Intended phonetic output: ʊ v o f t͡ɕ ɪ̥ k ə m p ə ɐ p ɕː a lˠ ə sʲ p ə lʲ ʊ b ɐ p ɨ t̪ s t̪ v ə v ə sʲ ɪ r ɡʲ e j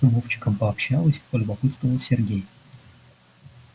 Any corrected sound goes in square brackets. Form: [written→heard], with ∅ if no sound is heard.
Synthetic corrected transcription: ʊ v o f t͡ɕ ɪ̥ k ə m p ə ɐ p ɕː a lˠ ə sʲ p ə lʲ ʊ b ɐ p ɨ t̪ s t̪ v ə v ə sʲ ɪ r ɡʲ e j